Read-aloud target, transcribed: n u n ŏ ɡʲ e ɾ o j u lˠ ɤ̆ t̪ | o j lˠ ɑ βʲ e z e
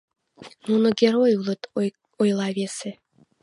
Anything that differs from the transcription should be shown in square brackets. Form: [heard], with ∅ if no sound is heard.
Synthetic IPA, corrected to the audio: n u n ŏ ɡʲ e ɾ o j u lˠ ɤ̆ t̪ | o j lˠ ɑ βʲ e [s] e